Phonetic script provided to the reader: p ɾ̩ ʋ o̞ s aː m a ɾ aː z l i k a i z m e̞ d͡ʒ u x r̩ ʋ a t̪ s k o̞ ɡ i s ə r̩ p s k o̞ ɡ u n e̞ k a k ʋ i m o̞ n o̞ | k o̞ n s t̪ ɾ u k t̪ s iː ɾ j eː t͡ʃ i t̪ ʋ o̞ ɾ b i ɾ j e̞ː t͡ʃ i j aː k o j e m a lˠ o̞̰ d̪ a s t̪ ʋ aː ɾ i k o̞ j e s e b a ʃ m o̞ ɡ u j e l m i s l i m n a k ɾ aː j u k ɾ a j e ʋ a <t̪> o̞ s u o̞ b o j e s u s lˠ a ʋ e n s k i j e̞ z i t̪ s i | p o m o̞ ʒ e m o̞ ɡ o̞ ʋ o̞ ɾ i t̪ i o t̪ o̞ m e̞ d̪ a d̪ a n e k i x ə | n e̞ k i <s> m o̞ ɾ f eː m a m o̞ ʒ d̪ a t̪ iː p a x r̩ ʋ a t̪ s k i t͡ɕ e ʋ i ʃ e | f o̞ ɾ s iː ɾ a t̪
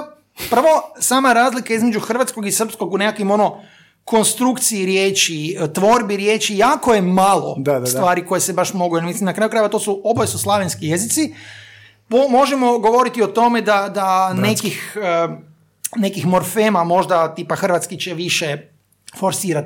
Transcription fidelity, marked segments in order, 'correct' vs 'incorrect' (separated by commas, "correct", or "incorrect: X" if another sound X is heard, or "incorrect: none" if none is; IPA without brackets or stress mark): correct, incorrect: x